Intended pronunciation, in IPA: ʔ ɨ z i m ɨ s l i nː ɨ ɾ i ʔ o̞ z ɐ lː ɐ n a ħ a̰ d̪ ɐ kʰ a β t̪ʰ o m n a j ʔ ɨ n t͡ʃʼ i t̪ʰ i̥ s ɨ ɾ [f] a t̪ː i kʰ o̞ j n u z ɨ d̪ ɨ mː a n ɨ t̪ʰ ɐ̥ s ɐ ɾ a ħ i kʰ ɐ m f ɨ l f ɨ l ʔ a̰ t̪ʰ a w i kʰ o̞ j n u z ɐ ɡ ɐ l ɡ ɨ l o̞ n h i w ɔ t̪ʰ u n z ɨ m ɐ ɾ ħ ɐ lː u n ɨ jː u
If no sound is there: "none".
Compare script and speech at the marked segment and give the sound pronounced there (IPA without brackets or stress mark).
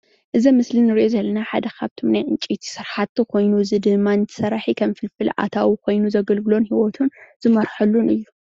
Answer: ħ